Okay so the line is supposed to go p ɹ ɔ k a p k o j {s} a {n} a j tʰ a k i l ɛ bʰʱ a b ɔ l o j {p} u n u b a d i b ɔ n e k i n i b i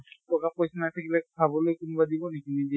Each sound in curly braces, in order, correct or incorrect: correct, correct, incorrect

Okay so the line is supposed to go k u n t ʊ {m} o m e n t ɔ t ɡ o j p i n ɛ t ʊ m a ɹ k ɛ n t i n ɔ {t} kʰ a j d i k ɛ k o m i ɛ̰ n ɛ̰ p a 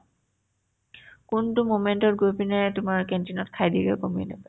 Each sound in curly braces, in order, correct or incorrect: correct, correct

